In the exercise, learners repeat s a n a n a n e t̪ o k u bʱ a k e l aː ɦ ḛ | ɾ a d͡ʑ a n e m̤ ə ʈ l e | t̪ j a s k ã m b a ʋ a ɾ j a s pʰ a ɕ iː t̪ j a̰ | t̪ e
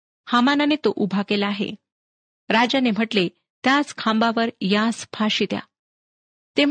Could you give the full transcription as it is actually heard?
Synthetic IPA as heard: h a m a n a n e t̪ o ʔ u bʱ a k e l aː ɦ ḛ | ɾ a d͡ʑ a n e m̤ ə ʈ l e | t̪ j a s kʰ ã m b a ʋ ə ɾ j a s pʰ a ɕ i t̪ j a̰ | t̪ e